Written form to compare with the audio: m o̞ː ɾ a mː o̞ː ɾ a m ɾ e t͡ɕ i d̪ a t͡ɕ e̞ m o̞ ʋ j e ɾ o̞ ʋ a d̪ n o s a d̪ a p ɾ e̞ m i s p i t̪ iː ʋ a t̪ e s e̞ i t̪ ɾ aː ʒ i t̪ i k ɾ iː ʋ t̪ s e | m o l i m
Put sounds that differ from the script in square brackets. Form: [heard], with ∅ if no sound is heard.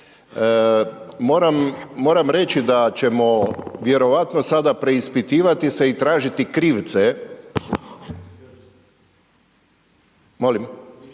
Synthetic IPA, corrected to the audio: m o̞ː ɾ a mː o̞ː ɾ a m ɾ e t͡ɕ i d̪ a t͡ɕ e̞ m o̞ ʋ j e ɾ o̞ ʋ a [t̪] n o s a d̪ a p ɾ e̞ [∅] i s p i t̪ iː ʋ a t̪ [i] s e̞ i t̪ ɾ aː ʒ i t̪ i k ɾ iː ʋ t̪ s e | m o l i m